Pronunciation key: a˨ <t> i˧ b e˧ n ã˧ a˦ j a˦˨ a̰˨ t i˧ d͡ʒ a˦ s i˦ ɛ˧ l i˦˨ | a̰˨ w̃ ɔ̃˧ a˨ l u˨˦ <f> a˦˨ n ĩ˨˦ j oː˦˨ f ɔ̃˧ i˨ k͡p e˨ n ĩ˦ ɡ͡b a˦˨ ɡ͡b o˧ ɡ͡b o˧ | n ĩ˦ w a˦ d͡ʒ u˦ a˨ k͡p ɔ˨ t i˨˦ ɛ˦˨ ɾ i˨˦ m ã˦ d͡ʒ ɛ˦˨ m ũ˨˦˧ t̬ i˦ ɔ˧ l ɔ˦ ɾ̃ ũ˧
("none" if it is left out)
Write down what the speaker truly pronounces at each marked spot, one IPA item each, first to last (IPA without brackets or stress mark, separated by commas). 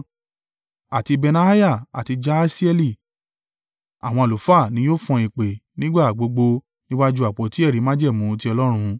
t, f